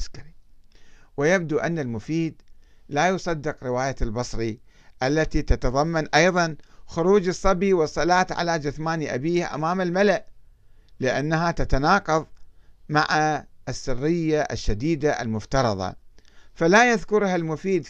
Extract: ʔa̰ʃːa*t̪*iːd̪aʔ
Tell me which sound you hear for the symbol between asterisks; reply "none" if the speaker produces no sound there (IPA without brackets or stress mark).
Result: d̪